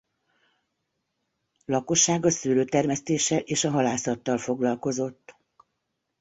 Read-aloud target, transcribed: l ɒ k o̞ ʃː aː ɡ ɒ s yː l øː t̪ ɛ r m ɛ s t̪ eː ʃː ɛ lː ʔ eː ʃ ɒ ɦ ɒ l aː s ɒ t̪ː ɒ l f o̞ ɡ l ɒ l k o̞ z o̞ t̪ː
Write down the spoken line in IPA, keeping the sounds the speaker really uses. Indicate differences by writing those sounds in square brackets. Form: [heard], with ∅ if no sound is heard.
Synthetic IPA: l ɒ k o̞ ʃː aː ɡ ɒ s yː l øː t̪ ɛ r m ɛ s t̪ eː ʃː ɛ [l] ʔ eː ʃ ɒ ɦ ɒ l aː s ɒ t̪ː ɒ l f o̞ ɡ l ɒ l k o̞ z o̞ t̪ː